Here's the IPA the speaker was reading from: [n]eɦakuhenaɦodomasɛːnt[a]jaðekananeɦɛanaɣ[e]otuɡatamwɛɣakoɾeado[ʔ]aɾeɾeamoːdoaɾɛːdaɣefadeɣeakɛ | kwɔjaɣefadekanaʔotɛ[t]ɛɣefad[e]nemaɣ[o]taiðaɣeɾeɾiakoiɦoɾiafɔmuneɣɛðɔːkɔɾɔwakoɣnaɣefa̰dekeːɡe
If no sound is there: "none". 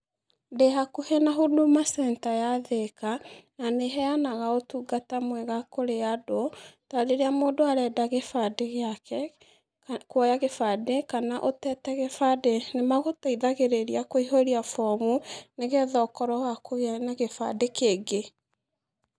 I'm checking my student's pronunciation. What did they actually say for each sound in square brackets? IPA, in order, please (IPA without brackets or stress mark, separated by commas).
d, a, a, t, t, e, o